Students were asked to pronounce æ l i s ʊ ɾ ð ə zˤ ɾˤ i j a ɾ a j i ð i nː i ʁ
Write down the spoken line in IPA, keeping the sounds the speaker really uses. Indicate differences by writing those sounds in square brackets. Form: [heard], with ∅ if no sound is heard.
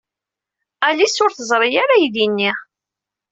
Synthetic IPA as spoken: æ l i s ʊ ɾ [θ] ə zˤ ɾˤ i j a ɾ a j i ð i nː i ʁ